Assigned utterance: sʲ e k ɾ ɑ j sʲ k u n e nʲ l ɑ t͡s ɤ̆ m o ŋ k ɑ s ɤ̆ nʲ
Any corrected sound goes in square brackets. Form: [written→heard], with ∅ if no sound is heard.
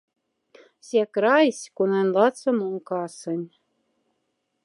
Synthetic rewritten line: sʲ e k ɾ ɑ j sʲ k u n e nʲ l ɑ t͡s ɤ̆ m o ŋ k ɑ s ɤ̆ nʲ